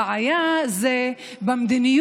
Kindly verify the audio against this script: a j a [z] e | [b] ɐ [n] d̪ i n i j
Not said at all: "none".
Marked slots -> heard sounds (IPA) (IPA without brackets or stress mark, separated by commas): z, b, m